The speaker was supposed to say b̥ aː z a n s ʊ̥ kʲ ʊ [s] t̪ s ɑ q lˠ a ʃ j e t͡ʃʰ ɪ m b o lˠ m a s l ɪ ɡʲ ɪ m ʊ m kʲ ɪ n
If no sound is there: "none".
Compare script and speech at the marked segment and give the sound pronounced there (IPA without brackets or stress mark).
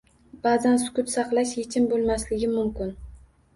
none